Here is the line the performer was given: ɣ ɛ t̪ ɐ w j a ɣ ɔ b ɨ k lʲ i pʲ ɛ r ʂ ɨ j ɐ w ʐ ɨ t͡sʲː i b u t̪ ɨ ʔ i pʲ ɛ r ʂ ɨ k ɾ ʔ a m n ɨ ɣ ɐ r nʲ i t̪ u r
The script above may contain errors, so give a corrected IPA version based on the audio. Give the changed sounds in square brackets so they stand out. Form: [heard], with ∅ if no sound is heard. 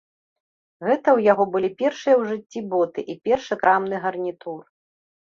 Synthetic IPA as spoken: ɣ ɛ t̪ ɐ w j a ɣ ɔ b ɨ [∅] lʲ i pʲ ɛ r ʂ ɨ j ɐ w ʐ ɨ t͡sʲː i b [ɔ] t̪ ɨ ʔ i pʲ ɛ r ʂ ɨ k ɾ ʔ a m n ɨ ɣ ɐ r nʲ i t̪ u r